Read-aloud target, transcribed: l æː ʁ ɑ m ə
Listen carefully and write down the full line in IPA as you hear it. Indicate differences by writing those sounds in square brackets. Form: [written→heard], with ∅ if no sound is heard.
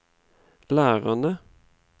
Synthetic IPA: l æː ʁ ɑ [m→n] ə